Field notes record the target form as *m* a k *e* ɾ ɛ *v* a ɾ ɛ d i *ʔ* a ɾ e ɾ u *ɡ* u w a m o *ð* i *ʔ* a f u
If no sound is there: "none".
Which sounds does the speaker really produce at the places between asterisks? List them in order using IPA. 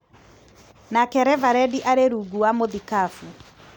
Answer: n, ɛ, v, ʔ, ɡ, ð, k

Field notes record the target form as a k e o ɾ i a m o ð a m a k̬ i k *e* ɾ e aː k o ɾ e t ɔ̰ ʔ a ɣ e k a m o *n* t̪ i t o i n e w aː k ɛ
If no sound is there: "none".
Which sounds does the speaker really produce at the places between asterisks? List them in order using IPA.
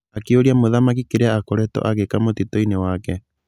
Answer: e, none

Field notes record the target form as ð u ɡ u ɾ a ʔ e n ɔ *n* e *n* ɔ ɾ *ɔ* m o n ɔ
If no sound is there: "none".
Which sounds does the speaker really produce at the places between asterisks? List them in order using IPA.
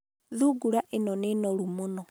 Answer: n, n, u

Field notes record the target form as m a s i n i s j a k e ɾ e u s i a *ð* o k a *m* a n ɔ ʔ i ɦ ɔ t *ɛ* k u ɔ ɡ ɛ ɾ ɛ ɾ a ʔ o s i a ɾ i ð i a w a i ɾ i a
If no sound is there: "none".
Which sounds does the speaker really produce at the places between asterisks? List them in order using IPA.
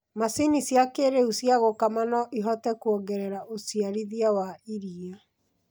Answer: ɣ, m, ɛ

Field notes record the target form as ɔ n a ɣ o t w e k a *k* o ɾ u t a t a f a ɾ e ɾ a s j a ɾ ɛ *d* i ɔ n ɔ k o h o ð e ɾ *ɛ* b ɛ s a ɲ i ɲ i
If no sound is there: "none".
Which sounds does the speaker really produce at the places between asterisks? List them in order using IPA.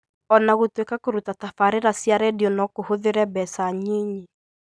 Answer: k, d, ɛ

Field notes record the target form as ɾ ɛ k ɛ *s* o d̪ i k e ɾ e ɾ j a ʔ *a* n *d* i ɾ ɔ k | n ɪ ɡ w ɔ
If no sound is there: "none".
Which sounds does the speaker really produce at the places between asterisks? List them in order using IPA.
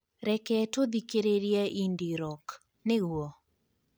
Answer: t, i, d

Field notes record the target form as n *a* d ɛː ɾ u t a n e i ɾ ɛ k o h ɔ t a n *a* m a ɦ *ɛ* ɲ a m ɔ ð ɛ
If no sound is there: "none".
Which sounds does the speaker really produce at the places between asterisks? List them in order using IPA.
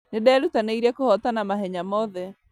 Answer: e, a, ɛ

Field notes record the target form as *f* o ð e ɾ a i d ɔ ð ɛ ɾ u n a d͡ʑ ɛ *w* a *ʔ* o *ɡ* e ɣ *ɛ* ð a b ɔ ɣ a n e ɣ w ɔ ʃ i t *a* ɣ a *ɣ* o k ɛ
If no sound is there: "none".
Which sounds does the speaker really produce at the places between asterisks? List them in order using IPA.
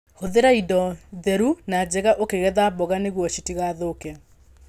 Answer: h, ɣ, ʔ, k, ɛ, i, ð

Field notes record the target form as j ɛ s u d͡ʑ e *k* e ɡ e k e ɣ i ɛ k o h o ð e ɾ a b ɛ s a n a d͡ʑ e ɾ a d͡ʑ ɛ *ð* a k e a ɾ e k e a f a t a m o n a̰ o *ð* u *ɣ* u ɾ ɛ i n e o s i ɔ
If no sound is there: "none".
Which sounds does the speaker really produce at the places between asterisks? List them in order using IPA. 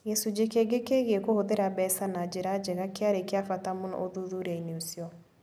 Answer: k, ɣ, ð, ð

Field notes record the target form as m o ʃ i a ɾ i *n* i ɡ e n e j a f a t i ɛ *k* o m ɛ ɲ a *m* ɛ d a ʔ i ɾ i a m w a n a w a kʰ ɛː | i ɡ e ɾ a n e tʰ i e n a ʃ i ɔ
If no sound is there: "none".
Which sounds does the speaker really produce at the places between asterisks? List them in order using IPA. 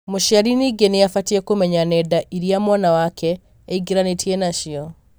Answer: n, k, n

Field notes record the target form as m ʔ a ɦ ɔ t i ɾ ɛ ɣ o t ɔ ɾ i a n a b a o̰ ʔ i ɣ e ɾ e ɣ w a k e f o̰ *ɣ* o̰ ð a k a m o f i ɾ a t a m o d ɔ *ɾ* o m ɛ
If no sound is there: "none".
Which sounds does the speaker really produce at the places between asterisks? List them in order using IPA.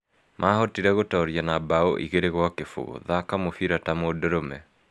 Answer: ɣ, ɾ

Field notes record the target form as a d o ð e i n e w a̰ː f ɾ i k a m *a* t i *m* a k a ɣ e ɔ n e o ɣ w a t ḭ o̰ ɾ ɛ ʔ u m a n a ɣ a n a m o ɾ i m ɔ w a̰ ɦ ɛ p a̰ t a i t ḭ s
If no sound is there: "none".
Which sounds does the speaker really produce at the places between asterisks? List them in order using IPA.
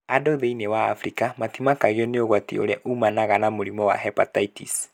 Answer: a, m

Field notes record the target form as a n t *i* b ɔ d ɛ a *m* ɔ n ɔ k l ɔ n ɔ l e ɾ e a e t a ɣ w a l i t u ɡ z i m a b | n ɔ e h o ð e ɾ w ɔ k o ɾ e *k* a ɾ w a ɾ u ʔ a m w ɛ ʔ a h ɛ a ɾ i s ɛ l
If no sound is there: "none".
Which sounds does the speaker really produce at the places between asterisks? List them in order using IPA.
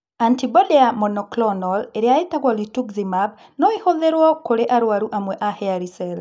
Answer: i, m, ʔ

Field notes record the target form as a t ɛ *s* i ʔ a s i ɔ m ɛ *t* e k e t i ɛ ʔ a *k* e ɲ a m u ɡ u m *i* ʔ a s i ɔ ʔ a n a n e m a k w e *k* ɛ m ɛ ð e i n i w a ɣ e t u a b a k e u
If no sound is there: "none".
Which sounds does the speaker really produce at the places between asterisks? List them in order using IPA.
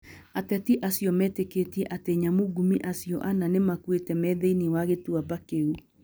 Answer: t, t, t, i, t

